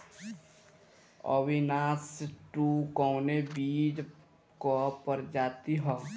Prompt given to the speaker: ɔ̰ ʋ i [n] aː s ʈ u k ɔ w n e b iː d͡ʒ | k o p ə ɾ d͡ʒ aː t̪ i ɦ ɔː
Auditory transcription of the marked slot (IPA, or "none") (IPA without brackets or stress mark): n